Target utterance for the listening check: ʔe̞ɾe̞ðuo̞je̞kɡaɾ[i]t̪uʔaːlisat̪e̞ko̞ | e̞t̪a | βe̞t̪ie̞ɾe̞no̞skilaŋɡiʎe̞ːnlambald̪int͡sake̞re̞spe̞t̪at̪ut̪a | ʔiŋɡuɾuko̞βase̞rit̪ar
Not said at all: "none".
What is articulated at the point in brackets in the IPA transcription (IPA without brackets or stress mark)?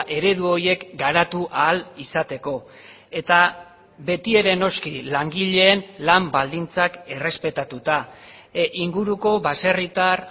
a